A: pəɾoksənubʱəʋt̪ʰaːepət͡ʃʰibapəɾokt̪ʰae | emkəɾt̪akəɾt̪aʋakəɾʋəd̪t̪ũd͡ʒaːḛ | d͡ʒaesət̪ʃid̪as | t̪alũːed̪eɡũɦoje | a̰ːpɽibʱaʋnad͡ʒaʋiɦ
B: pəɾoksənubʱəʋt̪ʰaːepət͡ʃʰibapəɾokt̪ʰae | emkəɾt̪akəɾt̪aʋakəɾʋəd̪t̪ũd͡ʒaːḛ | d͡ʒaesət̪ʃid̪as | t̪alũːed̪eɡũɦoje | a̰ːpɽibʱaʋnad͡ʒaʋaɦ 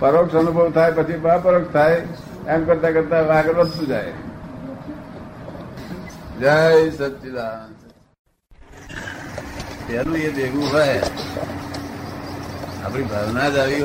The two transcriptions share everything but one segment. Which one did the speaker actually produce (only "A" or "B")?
A